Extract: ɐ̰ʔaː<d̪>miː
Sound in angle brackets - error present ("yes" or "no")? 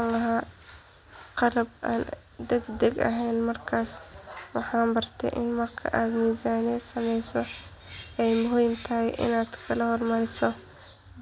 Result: no